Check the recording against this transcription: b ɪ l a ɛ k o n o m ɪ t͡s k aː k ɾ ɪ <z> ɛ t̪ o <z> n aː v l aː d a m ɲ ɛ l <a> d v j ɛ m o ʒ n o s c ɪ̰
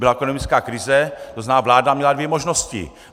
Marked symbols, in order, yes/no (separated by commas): yes, yes, yes